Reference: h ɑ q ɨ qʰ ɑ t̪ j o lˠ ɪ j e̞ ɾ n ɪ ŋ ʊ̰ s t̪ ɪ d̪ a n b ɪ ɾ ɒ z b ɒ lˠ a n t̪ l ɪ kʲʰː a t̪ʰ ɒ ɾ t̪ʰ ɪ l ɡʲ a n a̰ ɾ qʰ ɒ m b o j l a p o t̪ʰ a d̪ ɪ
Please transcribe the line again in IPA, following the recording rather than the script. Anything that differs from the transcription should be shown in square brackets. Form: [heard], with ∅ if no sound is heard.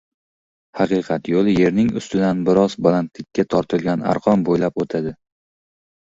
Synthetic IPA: h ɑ q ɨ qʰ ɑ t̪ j o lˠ ɪ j e̞ ɾ n ɪ ŋ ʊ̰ s t̪ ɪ d̪ a n b ɪ ɾ ɒ z b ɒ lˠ a n t̪ l ɪ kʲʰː a t̪ʰ ɒ ɾ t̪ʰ ɪ l ɡʲ a n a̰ ɾ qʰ ɒ m b o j l a p o t̪ʰ a d̪ ɪ